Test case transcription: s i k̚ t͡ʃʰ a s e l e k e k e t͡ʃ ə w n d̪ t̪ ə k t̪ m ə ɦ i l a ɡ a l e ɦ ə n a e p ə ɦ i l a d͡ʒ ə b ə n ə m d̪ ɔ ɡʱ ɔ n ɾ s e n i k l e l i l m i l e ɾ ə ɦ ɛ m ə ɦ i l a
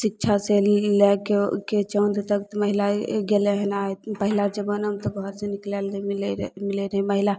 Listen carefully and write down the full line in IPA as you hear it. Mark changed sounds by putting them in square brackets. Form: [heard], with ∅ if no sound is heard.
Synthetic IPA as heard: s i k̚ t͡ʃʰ a s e l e k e k e t͡ʃ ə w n d̪ t̪ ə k t̪ m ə ɦ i l a ɡ [e] l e ɦ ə n a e p ə ɦ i l a d͡ʒ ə b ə n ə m [t̪] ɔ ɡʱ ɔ [∅] ɾ s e n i k l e l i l m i l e ɾ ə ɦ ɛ m ə ɦ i l a